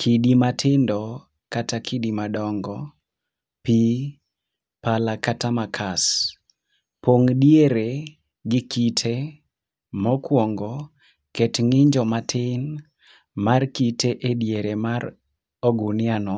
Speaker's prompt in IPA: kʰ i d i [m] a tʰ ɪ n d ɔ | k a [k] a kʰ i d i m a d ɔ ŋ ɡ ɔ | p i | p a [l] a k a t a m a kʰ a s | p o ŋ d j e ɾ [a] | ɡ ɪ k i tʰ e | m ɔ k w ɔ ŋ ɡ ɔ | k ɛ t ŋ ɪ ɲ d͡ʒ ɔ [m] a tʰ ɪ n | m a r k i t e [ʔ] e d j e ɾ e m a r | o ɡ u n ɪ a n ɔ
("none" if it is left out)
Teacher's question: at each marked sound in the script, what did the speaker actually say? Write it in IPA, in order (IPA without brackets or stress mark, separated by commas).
m, t, l, e, m, ʔ